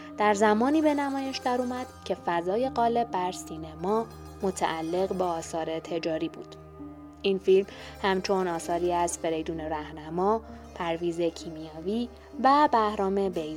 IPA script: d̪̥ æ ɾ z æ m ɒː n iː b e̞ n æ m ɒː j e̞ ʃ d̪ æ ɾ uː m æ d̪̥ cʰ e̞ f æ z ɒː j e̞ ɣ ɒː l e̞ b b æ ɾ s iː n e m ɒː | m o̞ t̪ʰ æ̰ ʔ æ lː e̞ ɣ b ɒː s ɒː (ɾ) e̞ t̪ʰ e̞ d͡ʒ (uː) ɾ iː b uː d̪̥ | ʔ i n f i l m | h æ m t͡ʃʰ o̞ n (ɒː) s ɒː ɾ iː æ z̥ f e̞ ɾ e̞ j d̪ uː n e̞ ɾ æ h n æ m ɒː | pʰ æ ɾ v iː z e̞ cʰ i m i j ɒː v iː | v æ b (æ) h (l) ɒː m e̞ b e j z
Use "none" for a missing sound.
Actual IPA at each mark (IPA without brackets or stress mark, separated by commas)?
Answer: ɾ, ɒː, ɒː, æ, ɾ